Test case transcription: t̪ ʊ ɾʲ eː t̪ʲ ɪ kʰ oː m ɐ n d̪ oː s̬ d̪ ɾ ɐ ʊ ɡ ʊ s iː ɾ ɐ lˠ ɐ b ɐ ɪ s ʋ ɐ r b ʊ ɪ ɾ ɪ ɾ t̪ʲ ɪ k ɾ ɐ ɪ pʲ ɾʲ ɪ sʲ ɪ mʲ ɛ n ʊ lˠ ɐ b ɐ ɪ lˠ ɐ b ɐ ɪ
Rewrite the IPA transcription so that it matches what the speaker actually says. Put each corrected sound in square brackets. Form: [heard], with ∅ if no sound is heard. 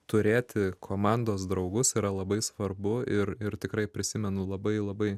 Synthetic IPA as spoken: t̪ ʊ ɾʲ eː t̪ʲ ɪ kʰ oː m [ɑ] n d̪ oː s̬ d̪ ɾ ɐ ʊ ɡ ʊ s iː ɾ ɐ lˠ ɐ b ɐ ɪ s ʋ ɐ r b ʊ ɪ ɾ ɪ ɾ t̪ʲ ɪ k ɾ ɐ ɪ pʲ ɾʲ ɪ sʲ ɪ mʲ ɛ n ʊ lˠ ɐ b ɐ ɪ lˠ ɐ b ɐ ɪ